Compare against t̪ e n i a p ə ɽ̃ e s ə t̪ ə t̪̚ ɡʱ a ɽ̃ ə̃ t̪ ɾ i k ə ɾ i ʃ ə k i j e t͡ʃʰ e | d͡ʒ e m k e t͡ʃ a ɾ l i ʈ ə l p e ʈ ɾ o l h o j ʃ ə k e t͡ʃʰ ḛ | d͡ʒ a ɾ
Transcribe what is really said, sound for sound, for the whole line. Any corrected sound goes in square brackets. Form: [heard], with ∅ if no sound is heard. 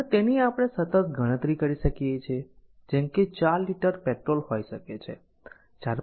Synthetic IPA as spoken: t̪ e n i a p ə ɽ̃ e s ə t̪ ə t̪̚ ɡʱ [ə] ɽ̃ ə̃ t̪ ɾ i k ə ɾ i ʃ ə k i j e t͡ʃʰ e | d͡ʒ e m k e t͡ʃ a ɾ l i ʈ ə [ɾ] p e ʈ ɾ o l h o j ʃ ə k e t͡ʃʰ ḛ | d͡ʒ a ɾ